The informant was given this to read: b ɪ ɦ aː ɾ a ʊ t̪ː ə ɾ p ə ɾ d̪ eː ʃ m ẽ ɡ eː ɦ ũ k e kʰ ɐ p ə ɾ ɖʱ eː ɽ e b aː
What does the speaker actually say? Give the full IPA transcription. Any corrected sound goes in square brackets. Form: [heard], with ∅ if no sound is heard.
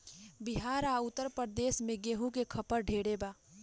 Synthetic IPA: b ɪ ɦ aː ɾ a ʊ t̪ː ə ɾ p ə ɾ d̪ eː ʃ m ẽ ɡ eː ɦ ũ k e kʰ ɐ p ə ɾ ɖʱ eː ɽ e b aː